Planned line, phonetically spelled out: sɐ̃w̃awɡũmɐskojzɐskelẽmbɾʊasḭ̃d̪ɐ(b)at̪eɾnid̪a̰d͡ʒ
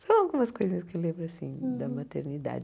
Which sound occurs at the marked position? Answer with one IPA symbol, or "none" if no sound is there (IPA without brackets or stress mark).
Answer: m